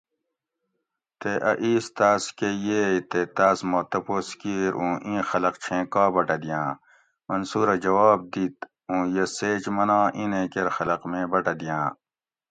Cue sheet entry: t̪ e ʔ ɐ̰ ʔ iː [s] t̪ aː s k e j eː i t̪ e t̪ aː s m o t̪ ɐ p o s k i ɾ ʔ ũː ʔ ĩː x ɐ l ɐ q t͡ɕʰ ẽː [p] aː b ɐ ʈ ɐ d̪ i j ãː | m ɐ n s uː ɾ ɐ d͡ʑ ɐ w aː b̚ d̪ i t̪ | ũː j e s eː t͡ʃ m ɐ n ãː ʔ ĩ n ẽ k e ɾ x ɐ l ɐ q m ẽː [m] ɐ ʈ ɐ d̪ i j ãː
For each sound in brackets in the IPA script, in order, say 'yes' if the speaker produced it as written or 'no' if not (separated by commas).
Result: yes, no, no